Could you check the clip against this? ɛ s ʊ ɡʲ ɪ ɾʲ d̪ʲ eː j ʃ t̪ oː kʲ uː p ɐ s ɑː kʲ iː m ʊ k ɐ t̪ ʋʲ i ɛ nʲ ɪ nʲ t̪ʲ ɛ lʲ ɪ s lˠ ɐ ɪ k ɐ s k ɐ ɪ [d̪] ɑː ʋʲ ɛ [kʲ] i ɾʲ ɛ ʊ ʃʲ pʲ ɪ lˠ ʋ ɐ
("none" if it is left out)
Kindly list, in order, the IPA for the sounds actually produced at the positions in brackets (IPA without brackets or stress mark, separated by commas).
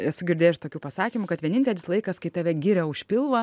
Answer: t̪, ɡʲ